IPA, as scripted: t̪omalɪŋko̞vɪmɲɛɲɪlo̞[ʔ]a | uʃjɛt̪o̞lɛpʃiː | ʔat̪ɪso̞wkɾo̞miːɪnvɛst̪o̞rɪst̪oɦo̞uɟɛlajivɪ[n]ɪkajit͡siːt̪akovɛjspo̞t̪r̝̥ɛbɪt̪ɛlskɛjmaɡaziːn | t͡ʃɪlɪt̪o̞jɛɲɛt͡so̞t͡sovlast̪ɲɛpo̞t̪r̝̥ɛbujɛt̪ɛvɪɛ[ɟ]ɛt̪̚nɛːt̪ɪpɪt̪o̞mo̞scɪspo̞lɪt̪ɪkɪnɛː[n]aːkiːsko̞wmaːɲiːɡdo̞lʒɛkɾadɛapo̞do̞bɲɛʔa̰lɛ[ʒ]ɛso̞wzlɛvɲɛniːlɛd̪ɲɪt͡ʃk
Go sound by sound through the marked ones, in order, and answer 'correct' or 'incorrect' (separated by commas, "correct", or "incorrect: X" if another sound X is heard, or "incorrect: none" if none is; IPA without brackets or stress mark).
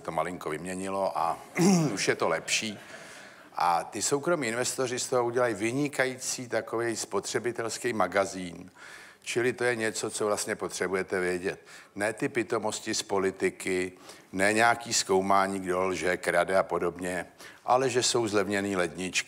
correct, incorrect: ɲ, correct, incorrect: ɲ, correct